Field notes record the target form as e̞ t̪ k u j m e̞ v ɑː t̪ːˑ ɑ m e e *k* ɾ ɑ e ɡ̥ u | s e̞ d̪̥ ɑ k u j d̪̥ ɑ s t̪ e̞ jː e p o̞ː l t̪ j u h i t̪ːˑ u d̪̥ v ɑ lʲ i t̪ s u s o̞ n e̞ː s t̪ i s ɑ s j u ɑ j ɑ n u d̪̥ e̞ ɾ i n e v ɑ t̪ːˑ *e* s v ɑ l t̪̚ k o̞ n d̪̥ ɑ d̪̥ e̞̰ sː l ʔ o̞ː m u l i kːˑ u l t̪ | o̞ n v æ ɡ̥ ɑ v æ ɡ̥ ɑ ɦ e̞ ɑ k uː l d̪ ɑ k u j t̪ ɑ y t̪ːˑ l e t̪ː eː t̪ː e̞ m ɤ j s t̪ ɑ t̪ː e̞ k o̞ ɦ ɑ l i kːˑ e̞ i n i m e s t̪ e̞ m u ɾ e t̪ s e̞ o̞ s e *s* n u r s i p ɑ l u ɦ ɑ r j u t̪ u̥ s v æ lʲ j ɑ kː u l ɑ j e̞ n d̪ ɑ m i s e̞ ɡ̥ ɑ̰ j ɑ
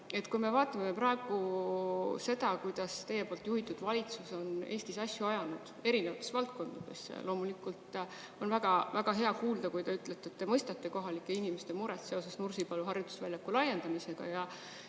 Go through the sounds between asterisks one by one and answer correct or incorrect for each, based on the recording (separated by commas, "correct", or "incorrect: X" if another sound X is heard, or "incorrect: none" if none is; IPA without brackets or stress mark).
incorrect: p, correct, correct